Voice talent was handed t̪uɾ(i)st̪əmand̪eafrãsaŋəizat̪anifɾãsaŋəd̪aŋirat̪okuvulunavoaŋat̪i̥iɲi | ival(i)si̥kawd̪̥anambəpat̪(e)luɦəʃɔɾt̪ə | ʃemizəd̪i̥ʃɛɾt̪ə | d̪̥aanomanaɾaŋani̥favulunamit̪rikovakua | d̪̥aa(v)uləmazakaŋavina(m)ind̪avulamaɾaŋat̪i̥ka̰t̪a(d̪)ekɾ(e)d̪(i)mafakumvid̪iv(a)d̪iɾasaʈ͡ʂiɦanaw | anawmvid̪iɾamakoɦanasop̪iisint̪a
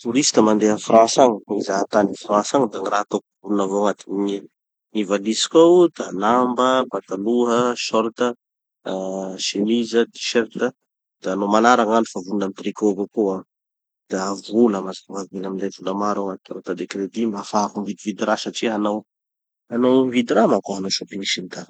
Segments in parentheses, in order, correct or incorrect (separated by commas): correct, correct, incorrect, correct, correct, correct, correct, correct, incorrect